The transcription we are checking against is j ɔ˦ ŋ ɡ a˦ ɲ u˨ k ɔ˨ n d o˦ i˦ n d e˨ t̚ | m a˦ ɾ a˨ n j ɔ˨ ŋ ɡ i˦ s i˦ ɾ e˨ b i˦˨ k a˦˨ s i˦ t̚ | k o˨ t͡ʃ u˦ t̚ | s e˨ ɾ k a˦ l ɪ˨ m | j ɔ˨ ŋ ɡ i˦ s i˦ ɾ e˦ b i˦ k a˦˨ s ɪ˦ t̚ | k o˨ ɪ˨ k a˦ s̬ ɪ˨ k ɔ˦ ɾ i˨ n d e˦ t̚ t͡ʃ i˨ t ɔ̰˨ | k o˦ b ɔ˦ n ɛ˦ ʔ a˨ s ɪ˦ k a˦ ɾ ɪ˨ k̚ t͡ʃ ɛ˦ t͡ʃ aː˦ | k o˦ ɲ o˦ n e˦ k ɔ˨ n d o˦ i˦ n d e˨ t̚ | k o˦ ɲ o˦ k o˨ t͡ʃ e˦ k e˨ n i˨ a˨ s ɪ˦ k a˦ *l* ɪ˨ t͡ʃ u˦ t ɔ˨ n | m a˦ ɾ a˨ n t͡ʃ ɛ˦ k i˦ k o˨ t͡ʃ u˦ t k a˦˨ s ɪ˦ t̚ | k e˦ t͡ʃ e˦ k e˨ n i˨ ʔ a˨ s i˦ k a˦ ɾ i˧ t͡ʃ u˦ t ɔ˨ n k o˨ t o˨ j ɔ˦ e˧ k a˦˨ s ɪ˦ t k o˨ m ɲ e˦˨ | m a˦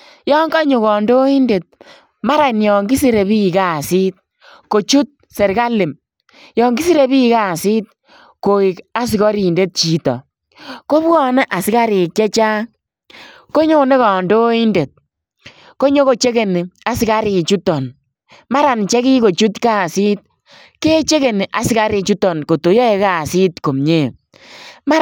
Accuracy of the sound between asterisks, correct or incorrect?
incorrect